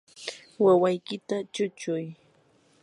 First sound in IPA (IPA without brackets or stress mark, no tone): w